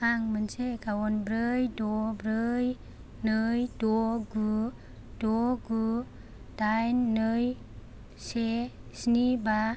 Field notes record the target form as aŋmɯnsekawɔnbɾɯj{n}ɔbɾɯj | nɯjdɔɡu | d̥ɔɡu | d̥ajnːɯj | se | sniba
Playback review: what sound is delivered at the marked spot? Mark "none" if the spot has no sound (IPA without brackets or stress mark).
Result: d